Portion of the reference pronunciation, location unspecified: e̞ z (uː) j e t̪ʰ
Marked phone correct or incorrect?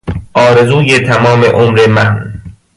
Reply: correct